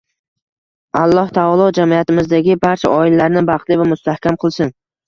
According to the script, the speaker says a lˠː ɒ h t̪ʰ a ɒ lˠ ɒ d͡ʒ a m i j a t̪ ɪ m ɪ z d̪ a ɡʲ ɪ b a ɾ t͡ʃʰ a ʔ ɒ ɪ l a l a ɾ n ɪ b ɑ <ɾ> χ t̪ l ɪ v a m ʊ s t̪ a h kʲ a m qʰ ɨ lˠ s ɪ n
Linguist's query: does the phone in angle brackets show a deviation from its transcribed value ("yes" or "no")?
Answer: yes